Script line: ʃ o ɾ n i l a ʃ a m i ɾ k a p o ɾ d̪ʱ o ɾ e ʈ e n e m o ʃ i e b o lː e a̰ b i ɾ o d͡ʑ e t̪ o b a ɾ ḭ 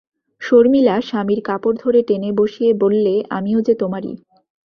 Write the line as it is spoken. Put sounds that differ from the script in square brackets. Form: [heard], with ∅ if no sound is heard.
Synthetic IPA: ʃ o ɾ [m] i l a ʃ a m i ɾ k a p o ɾ d̪ʱ o ɾ e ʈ e n e [b] o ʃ i e b o lː e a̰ [m] i [∅] o d͡ʑ e t̪ o [m] a ɾ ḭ